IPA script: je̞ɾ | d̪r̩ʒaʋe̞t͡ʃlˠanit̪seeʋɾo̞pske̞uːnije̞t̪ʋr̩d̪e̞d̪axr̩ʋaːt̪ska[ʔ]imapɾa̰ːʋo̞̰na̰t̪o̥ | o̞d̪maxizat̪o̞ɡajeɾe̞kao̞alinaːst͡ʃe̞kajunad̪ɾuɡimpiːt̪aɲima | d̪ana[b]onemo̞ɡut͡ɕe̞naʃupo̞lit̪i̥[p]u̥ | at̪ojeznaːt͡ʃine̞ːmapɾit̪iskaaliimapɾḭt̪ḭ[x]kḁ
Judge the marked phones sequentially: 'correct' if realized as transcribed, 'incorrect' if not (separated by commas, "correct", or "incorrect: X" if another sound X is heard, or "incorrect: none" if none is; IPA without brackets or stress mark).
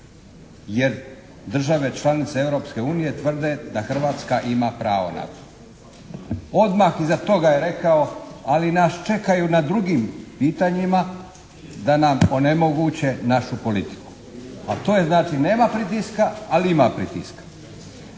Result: correct, incorrect: m, incorrect: k, incorrect: s